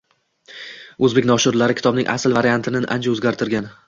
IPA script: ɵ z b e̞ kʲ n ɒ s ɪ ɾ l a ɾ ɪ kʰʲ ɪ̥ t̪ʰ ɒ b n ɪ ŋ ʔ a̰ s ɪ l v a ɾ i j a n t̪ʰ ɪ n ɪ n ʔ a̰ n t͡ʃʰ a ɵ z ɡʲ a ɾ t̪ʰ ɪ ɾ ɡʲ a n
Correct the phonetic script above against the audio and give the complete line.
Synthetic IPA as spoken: ɵ z b e̞ kʲ n ɒ ʃ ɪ ɾ l a ɾ ɪ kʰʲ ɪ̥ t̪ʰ ɒ b n ɪ ŋ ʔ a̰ s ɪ l v a ɾ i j a n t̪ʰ ɪ n ɪ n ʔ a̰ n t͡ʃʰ a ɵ z ɡʲ a ɾ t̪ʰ ɪ ɾ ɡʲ a n